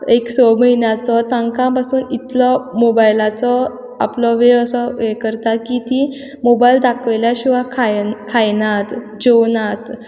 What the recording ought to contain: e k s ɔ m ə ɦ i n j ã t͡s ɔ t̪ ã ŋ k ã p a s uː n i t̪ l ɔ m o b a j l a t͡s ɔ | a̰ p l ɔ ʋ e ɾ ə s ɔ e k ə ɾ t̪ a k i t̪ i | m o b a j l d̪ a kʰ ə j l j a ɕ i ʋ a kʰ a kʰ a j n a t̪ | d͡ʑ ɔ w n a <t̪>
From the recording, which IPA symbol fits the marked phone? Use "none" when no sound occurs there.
t̪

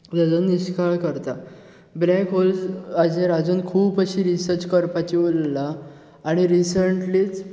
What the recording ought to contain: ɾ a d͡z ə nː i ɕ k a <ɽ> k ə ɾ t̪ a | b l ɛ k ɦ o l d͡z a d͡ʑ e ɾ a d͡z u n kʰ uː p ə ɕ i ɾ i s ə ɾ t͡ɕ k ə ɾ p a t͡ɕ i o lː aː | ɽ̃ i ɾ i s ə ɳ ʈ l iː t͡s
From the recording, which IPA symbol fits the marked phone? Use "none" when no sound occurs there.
ɭ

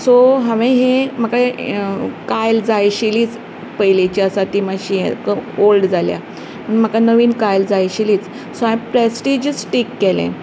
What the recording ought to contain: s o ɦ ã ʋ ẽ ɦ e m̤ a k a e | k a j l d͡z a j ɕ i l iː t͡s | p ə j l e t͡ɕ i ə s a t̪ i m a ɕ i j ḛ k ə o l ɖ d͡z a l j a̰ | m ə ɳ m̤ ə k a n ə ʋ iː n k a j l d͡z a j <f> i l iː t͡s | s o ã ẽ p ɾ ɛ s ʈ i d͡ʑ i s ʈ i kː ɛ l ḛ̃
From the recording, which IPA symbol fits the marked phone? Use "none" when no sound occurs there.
ɕ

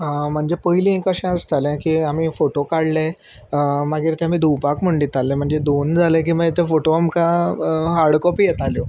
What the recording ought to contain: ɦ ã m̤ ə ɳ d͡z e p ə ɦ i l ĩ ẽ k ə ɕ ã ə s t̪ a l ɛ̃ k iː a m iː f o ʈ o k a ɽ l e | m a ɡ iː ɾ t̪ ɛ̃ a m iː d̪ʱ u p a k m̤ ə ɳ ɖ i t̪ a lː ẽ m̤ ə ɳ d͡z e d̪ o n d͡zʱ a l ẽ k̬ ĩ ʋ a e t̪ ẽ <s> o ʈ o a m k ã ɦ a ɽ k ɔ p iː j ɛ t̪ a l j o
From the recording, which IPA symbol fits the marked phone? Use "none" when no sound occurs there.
f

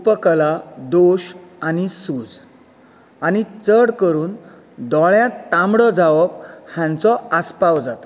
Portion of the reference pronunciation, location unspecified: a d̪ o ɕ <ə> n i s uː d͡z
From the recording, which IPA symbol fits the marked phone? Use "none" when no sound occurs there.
a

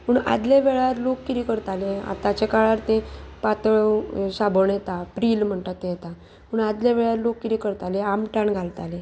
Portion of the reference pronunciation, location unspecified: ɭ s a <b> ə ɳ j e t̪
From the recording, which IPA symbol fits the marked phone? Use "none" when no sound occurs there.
b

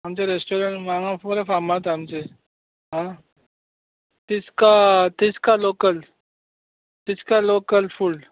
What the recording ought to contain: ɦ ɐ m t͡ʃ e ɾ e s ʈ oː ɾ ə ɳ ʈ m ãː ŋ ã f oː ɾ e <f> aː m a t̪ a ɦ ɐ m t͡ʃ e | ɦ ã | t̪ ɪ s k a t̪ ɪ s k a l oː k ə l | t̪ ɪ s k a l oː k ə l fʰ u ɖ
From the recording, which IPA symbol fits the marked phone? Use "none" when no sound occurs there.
f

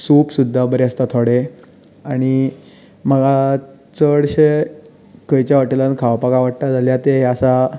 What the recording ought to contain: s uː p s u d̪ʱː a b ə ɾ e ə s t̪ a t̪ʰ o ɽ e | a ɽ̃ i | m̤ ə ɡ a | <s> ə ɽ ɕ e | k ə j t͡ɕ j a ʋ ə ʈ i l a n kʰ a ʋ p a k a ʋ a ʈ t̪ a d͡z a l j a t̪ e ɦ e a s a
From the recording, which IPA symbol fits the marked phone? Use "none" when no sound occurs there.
t͡s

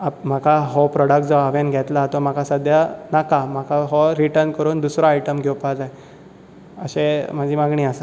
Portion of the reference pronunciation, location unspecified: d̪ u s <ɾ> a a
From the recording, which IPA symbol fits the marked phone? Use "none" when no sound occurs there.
ɾ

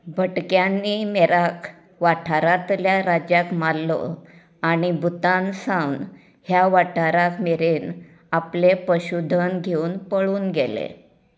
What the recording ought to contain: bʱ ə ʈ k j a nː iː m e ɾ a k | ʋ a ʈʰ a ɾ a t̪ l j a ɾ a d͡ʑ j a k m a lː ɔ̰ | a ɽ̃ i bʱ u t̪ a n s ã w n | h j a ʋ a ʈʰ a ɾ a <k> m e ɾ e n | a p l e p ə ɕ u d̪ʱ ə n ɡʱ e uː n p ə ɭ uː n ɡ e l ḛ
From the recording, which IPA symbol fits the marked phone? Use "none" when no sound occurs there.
k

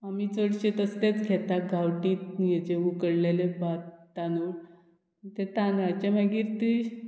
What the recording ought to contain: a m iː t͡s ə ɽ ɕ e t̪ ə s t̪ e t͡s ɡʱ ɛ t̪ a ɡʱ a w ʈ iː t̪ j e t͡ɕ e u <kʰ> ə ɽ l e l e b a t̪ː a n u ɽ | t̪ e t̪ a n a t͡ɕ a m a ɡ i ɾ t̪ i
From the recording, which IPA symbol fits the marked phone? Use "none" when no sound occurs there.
k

